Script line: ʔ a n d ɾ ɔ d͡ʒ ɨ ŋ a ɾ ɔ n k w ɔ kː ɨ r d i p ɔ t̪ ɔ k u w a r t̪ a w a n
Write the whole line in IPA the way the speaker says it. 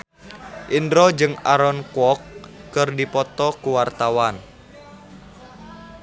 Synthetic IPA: ʔ i n d ɾ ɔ d͡ʒ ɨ ŋ a ɾ ɔ n k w ɔ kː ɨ r d i p ɔ t̪ ɔ k u w a r t̪ a w a n